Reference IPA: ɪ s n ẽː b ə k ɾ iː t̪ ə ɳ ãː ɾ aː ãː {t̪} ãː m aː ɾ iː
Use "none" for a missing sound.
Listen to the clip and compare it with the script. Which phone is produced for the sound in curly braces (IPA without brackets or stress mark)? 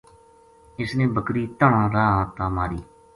t̪